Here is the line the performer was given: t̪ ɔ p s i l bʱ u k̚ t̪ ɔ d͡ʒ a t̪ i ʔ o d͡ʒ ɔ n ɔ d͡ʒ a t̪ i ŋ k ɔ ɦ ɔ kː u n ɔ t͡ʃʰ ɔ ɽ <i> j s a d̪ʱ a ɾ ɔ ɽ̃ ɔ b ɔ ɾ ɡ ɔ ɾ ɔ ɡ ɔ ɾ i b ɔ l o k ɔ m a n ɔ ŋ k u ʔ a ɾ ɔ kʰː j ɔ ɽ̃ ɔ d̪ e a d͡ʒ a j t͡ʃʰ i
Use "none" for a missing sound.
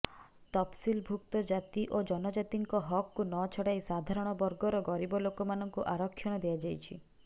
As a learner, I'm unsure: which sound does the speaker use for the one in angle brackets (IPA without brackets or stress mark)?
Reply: a